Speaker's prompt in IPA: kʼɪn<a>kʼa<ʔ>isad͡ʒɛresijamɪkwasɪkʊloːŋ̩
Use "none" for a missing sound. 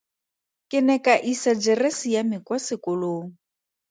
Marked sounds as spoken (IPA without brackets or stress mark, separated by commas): ɛ, ʔ